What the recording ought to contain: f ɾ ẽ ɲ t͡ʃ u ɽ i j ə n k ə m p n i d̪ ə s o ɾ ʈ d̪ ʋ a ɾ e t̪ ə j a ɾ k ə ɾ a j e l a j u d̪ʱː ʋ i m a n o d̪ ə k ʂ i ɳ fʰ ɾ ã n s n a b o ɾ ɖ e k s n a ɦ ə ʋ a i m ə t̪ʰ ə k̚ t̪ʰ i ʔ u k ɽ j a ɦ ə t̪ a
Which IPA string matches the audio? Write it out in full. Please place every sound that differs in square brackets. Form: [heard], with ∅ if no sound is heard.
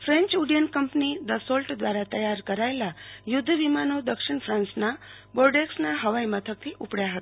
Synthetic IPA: f ɾ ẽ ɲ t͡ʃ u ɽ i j ə n k ə m p n i d̪ ə s o [l] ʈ d̪ ʋ a ɾ [a] t̪ ə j a ɾ k ə ɾ a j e l a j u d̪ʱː ʋ i m a n o d̪ ə k ʂ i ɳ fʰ ɾ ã n s n a b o ɾ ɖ e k s n a ɦ ə ʋ a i m ə t̪ʰ ə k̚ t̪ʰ i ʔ u [p] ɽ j a ɦ ə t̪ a